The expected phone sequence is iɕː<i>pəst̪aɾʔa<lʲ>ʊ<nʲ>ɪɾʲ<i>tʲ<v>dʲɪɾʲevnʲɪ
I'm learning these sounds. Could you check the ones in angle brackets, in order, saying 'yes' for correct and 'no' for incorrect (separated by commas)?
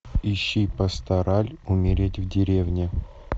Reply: yes, yes, no, no, yes